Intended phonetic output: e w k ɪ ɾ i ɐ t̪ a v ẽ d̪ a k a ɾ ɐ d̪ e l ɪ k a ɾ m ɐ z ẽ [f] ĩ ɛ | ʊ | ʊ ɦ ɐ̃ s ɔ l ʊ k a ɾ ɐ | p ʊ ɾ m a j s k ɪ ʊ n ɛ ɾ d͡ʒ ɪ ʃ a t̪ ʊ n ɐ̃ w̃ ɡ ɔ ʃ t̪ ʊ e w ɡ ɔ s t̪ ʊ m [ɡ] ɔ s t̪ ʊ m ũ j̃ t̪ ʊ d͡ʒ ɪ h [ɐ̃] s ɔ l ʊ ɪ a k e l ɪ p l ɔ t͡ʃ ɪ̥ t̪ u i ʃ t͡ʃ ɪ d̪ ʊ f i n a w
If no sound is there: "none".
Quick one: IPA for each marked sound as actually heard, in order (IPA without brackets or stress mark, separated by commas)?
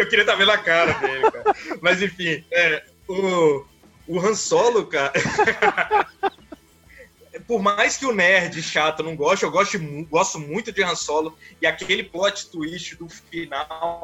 f, ɡ, ɐ̃